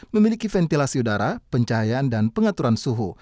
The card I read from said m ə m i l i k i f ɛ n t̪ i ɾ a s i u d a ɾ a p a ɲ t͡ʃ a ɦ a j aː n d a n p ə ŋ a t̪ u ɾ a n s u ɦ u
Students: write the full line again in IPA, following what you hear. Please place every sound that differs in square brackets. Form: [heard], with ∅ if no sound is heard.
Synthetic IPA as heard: m ə m i l i k i f ɛ n t̪ i [l] a s i u d a ɾ a p [ə] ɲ t͡ʃ a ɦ a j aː n d a n p ə ŋ a t̪ u ɾ a n s u ɦ u